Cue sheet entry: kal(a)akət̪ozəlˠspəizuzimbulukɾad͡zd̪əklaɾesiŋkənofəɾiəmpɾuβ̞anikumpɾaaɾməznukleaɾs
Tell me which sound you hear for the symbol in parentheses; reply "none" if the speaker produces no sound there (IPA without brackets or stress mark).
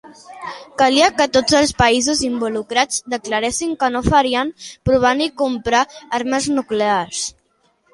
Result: i